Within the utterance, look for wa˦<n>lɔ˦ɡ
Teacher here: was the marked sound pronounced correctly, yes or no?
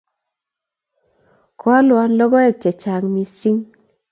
yes